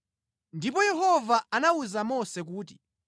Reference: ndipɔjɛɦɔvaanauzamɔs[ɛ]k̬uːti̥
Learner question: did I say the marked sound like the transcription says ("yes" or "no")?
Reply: yes